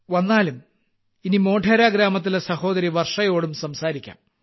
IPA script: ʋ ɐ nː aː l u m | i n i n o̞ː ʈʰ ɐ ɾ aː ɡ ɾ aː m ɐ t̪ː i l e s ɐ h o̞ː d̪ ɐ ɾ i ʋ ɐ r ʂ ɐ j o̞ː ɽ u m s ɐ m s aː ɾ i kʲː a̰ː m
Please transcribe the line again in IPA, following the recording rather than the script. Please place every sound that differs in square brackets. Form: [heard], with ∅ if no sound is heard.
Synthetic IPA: ʋ ɐ nː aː l u m | i n i [m] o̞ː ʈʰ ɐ ɾ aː ɡ ɾ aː m ɐ t̪ː i l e s ɐ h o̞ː d̪ ɐ ɾ i ʋ ɐ r ʂ ɐ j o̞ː ɽ u m s ɐ m s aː ɾ i kʲː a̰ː m